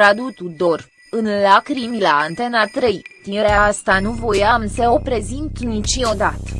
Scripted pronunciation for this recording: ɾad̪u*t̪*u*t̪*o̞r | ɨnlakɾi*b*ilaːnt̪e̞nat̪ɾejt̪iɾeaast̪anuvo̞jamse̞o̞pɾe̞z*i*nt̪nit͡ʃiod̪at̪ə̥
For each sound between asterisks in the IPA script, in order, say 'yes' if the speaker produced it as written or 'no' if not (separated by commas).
yes, no, no, yes